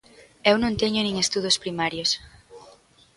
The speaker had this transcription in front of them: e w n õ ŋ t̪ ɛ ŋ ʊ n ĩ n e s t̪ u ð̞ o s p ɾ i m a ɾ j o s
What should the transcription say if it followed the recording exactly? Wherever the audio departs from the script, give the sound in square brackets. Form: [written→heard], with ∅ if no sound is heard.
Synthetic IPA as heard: e w n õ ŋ t̪ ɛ [ŋ→ɲ] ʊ n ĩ [n→ŋ] e s t̪ u ð̞ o s p ɾ i m a ɾ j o s